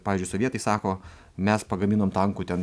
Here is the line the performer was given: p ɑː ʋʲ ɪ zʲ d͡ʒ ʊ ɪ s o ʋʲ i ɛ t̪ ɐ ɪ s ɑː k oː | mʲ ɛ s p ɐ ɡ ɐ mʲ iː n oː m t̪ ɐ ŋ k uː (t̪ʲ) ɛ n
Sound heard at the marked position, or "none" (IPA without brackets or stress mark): t̪ʲ